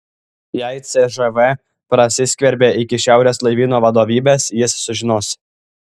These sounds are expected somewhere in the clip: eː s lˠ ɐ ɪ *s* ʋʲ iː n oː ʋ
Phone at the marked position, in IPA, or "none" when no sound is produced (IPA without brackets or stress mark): none